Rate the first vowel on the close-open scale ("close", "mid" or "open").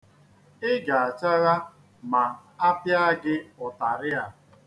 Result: close